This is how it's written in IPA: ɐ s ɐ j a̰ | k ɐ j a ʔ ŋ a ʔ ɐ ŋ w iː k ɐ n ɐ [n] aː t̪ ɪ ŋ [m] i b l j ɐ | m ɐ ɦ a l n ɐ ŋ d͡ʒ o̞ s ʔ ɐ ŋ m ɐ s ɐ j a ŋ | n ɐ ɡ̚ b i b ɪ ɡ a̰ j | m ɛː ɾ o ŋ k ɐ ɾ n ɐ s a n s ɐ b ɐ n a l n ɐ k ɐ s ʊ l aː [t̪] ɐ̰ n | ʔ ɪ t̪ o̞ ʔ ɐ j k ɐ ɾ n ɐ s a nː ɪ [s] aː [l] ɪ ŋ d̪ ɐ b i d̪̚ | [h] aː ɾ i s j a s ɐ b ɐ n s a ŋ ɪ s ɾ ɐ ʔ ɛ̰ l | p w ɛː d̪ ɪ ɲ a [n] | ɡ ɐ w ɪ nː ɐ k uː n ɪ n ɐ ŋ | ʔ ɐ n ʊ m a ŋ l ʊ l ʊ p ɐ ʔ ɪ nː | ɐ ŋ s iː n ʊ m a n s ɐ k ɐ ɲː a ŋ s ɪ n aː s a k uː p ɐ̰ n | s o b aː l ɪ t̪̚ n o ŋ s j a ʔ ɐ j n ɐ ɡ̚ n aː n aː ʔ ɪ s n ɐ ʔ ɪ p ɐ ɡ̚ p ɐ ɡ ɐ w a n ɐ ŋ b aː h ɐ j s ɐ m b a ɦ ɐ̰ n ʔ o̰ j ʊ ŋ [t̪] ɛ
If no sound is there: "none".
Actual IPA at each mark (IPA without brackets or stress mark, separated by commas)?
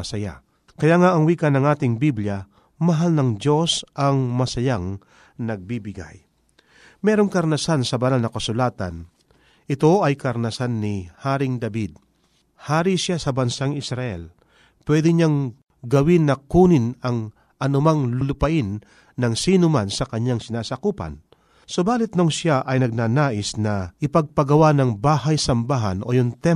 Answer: ŋ, b, t̪, h, ɾ, h, ŋ, t̪